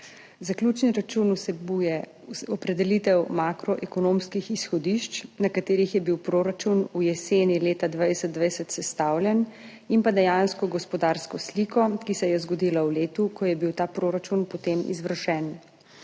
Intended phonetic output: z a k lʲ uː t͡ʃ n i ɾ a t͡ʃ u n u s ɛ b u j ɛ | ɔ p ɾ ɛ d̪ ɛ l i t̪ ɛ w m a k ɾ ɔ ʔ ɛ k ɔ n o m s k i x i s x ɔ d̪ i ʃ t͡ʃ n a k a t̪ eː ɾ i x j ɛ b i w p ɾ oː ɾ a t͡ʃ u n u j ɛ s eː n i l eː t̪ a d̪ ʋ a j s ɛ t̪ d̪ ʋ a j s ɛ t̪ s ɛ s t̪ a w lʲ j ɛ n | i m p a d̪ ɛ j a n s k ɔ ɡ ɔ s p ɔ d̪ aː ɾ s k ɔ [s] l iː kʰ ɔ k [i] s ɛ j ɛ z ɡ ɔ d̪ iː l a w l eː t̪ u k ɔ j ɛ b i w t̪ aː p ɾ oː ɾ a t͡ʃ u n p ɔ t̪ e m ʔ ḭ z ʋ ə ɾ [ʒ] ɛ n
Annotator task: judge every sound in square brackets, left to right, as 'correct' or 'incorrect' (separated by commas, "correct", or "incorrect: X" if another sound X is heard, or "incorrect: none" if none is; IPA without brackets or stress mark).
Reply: correct, correct, incorrect: ʃ